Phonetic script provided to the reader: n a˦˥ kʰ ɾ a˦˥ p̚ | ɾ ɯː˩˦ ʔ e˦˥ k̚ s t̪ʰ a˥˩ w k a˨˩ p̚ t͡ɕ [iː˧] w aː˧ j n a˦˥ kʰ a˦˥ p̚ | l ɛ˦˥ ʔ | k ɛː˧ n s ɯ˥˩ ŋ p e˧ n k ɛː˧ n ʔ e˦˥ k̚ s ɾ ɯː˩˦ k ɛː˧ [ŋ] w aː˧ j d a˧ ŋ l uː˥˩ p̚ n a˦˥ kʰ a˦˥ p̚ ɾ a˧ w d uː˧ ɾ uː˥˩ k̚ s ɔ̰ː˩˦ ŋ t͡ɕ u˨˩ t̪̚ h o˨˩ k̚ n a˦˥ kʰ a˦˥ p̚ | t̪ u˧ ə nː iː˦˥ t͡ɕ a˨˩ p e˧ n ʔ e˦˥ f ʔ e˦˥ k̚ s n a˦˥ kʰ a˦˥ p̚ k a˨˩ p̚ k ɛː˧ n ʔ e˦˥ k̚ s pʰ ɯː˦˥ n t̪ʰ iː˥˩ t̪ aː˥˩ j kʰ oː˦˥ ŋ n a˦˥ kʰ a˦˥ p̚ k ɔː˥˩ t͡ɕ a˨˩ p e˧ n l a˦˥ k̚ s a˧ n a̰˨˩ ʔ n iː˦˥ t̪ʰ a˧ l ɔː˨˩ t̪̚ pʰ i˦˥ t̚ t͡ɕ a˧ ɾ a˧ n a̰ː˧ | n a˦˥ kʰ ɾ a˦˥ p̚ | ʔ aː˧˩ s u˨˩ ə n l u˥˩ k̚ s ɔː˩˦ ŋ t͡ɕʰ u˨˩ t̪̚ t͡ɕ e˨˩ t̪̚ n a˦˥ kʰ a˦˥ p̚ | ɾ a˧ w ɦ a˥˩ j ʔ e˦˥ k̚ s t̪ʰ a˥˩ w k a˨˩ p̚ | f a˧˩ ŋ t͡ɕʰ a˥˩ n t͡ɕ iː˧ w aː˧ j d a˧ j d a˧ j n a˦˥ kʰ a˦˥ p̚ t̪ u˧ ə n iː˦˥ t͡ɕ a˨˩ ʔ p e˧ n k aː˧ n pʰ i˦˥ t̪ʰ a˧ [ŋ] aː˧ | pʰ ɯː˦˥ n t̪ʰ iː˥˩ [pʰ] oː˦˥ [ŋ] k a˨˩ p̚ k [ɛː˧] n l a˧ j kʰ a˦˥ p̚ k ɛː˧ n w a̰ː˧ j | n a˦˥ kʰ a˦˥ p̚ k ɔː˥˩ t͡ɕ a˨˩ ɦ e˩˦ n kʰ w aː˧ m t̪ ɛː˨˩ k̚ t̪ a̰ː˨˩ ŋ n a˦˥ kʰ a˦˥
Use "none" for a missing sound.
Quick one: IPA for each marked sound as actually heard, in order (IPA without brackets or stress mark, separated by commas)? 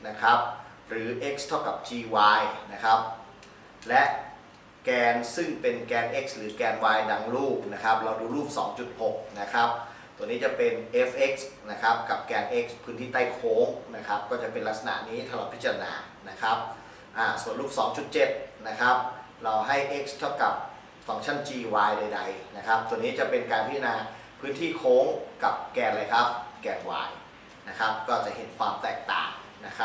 iː˧, n, n, kʰ, ŋ, ɛː˧